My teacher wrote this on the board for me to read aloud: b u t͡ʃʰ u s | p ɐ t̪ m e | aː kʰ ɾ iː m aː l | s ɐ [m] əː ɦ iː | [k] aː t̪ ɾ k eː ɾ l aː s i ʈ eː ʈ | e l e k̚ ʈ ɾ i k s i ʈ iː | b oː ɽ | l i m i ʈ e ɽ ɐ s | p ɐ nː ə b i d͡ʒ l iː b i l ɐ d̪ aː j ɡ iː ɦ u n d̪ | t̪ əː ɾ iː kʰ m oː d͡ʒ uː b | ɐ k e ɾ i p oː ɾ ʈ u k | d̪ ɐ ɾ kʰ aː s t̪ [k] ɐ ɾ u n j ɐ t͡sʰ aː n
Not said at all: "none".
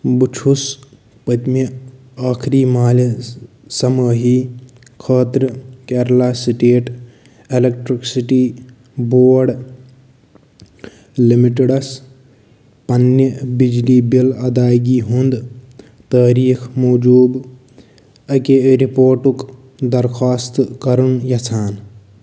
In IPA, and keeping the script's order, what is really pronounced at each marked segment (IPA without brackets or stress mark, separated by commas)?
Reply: m, kʰ, k